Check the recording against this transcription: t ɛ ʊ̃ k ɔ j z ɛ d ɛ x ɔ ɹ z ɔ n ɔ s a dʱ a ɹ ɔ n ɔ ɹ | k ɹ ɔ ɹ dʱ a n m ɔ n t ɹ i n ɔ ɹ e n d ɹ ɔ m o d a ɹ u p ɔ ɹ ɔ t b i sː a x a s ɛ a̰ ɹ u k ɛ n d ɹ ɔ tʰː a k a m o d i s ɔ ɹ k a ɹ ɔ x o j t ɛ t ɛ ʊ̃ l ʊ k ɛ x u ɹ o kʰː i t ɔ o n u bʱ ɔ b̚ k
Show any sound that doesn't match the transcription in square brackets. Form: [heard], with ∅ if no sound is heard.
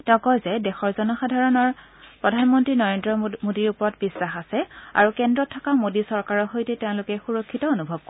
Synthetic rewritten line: t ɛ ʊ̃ k ɔ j z ɛ d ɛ x ɔ ɹ z ɔ n ɔ [x] a dʱ a ɹ ɔ n ɔ ɹ | [p] ɹ ɔ [∅] dʱ a n m ɔ n t ɹ i n ɔ ɹ e n d ɹ ɔ m o d [i] ɹ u p ɔ ɹ ɔ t b i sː a x a s ɛ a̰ ɹ u k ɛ n d ɹ ɔ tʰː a k a m o d i s ɔ ɹ k a ɹ ɔ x o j t ɛ t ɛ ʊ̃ l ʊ k ɛ x u ɹ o kʰː i t ɔ o n u bʱ ɔ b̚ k